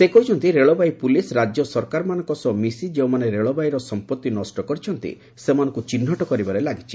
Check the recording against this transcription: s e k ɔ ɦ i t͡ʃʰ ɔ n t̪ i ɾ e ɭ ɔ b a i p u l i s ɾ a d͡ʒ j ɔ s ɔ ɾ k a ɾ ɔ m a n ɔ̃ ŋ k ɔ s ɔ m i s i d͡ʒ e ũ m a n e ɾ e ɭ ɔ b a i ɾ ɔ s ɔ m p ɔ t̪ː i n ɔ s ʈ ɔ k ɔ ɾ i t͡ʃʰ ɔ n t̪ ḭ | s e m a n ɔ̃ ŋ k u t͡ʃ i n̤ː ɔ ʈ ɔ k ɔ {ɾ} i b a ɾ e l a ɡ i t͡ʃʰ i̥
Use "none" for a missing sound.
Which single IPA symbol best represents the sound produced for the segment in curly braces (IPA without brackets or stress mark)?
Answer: ɾ